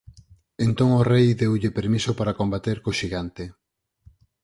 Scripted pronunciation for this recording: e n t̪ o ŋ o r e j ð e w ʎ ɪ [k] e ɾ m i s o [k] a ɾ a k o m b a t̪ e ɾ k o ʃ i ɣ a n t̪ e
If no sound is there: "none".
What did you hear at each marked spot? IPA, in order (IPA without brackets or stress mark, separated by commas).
p, p